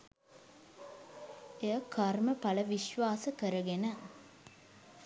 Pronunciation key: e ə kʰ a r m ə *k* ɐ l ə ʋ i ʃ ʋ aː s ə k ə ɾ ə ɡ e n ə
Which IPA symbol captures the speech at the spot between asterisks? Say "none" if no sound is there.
p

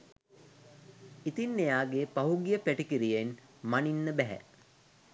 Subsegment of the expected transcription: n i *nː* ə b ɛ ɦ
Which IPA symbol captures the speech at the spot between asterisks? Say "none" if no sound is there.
nː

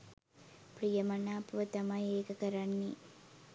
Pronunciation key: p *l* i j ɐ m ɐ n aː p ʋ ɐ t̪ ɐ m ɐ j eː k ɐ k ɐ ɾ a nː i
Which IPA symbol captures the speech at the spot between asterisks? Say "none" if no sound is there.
ɾ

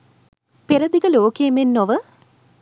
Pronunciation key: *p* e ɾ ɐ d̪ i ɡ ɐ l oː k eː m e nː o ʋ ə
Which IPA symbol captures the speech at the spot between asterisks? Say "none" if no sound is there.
p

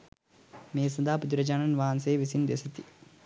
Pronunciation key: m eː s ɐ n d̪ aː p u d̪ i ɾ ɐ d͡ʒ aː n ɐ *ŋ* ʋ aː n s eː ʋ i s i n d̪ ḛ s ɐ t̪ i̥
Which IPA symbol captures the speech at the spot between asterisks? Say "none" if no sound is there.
n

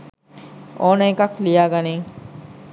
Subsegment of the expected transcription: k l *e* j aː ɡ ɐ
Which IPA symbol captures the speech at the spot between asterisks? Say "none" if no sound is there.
i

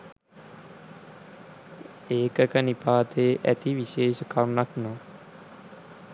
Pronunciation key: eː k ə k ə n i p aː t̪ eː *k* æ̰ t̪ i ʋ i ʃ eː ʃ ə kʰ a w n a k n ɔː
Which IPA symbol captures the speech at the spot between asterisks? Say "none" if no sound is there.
ʔ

